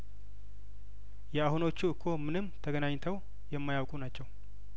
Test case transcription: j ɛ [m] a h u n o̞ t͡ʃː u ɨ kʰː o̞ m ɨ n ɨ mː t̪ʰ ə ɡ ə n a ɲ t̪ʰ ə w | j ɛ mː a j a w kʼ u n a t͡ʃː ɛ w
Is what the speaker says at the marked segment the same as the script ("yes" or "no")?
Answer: no